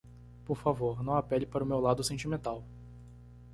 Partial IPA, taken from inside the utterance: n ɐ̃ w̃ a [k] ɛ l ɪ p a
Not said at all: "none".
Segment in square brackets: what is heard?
p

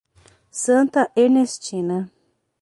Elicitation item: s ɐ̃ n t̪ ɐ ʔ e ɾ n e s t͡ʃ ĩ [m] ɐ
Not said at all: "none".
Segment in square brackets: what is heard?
n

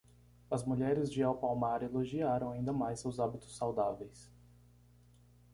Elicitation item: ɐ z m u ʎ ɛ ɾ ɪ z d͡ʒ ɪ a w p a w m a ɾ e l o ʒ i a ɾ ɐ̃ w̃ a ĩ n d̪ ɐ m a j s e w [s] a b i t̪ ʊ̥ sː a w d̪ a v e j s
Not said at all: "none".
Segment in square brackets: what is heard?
z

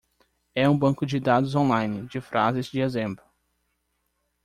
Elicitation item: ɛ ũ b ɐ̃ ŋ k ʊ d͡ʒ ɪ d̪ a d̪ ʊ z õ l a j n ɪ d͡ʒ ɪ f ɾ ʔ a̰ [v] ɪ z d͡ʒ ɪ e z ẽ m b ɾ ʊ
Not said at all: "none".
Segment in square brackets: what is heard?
z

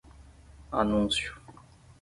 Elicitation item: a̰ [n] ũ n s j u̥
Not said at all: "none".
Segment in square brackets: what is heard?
n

